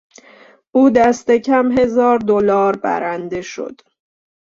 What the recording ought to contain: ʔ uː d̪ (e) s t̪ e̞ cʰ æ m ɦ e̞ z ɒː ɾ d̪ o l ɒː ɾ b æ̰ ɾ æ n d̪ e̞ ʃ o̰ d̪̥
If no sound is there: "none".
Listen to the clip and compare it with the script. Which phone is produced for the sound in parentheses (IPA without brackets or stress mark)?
æ